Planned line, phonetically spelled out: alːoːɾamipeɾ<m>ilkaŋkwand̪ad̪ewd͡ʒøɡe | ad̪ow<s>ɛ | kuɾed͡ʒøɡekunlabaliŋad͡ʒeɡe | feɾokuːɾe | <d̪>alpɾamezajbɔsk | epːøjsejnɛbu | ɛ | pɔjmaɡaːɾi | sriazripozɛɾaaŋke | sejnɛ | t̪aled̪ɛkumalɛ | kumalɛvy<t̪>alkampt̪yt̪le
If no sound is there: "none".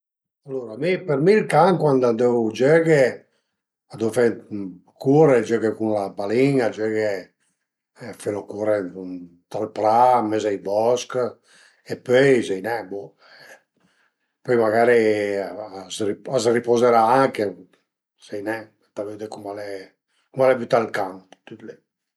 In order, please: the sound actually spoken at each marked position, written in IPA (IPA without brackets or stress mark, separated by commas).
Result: m, f, t̪, t̪